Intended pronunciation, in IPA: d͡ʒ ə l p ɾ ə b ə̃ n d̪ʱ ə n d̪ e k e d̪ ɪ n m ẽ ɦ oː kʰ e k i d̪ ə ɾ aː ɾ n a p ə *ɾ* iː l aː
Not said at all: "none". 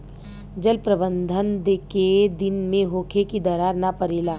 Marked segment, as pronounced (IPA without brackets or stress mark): ɾ